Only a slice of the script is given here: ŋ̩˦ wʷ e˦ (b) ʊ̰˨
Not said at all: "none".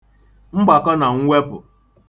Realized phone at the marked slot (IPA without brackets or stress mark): p